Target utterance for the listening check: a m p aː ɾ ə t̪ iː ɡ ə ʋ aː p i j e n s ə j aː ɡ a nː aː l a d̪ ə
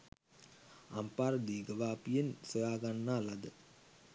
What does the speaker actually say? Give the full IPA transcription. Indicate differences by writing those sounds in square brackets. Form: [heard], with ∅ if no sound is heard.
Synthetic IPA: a m p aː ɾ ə [d̪] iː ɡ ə ʋ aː p i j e n s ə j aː ɡ a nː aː l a d̪ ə